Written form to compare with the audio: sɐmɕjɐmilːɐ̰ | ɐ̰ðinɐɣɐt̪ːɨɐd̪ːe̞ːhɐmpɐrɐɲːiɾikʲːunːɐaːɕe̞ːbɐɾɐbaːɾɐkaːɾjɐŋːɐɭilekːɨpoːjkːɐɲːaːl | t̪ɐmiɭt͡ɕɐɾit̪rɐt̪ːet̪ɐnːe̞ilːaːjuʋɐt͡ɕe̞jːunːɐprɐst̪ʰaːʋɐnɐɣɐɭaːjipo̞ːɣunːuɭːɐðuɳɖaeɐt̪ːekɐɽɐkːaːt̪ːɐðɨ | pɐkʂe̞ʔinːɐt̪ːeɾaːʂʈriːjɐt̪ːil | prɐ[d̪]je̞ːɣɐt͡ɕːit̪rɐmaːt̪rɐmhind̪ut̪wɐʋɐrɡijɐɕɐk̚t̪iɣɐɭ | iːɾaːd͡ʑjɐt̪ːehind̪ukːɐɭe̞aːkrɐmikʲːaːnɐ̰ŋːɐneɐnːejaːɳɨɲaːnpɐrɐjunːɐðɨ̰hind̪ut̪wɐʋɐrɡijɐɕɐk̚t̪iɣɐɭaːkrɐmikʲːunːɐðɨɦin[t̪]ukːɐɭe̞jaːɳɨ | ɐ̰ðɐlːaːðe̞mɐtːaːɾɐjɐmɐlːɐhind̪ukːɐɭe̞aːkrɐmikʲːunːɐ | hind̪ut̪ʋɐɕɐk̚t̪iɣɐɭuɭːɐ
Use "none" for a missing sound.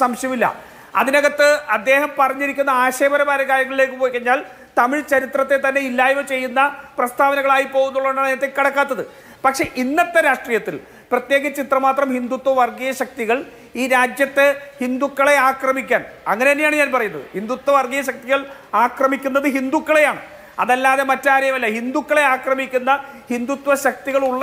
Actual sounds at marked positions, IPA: t̪, d̪

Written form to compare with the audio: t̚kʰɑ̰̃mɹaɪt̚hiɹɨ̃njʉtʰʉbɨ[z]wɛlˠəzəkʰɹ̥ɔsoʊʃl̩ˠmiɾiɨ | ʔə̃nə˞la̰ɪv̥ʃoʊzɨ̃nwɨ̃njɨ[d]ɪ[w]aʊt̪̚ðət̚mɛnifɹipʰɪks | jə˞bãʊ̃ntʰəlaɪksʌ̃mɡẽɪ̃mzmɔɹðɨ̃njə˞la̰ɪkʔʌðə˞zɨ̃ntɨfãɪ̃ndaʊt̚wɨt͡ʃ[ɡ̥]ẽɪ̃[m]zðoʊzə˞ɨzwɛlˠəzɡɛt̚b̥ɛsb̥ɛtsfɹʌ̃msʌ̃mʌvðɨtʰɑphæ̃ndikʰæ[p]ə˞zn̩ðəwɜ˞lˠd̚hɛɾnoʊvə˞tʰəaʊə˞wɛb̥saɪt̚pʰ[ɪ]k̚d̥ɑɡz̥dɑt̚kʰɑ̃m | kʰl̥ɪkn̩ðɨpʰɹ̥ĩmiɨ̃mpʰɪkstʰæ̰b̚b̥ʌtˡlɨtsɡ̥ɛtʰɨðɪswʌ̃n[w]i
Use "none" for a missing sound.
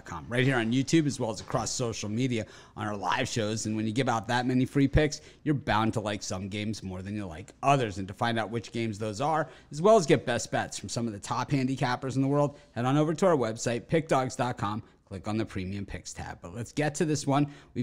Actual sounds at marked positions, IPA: z, ɡ, v, ɡ̥, m, p, ɪ, w

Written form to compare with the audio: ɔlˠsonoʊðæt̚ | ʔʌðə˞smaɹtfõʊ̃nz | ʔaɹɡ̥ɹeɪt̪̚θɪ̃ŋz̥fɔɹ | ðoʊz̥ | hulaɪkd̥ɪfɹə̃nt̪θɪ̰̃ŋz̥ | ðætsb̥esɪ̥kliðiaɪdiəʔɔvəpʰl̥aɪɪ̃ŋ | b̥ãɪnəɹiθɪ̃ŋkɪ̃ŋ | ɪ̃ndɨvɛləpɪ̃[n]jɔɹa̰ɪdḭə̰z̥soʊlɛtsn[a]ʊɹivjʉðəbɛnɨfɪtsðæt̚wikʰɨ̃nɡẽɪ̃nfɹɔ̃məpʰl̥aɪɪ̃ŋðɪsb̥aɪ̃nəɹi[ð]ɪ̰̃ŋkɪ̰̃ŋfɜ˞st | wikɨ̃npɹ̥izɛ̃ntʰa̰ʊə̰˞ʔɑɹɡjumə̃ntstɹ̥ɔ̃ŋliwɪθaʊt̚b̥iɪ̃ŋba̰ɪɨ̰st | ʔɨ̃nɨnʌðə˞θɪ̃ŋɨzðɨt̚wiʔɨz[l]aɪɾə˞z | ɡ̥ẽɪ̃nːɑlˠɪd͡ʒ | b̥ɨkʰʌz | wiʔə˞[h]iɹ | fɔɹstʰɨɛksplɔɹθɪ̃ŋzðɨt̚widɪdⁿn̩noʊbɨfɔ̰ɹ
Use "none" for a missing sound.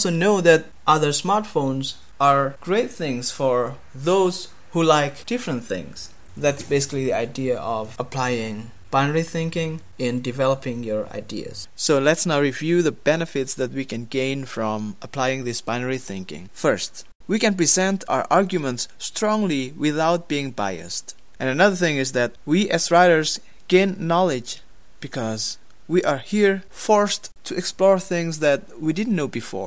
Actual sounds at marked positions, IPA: ŋ, a, θ, ɹ, h

